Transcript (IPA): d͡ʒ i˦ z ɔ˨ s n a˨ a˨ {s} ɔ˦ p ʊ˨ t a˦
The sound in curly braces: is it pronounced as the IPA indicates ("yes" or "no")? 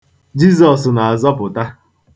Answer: no